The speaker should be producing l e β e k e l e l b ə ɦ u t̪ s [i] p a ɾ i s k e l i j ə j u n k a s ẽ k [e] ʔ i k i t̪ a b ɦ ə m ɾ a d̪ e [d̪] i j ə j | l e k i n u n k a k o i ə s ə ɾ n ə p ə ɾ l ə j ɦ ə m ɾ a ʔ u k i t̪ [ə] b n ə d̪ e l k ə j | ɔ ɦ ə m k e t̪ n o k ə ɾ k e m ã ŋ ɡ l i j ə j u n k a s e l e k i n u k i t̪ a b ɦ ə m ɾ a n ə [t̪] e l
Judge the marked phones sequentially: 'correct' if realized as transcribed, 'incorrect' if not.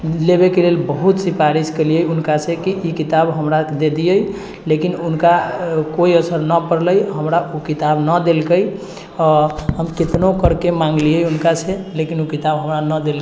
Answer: correct, incorrect: i, correct, incorrect: a, incorrect: d̪

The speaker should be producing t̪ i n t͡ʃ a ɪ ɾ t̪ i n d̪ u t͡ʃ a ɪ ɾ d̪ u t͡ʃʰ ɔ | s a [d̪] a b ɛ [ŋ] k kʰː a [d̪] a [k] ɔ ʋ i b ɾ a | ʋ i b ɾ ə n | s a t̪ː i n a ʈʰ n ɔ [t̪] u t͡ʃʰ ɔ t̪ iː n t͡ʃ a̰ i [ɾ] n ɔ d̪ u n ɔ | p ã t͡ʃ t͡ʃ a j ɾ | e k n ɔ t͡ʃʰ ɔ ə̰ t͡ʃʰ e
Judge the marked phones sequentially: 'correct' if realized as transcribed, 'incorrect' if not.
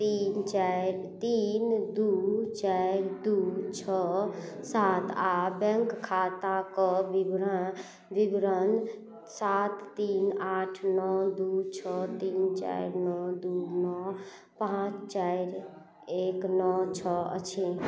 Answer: incorrect: t̪, correct, incorrect: t̪, correct, incorrect: d̪, correct

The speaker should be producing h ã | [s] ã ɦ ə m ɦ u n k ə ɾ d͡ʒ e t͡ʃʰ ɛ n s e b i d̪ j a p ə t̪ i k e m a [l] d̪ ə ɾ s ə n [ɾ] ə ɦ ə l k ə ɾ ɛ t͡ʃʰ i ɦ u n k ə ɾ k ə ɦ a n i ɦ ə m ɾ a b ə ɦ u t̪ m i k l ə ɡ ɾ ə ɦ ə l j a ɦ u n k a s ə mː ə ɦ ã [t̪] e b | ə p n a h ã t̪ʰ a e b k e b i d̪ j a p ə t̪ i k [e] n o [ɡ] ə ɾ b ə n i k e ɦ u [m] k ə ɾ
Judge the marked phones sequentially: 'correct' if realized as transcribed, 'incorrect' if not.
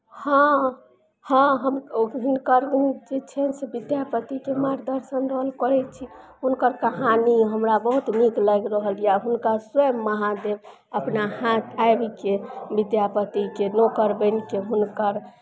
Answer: incorrect: h, incorrect: ɾ, correct, incorrect: d̪, correct, incorrect: k, incorrect: n

